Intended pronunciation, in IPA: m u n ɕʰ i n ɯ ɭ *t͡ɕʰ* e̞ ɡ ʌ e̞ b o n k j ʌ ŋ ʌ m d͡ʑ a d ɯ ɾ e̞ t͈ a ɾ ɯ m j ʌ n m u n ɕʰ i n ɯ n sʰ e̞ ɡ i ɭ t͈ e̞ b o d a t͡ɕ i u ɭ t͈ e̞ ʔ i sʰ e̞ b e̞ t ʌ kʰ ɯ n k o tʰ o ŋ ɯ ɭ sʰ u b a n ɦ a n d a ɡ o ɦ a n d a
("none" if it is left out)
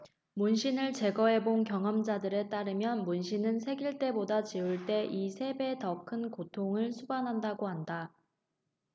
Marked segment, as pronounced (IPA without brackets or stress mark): t͡ɕ